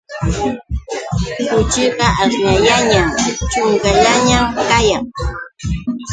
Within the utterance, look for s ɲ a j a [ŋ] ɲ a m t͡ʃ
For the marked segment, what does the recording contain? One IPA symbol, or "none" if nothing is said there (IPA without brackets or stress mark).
none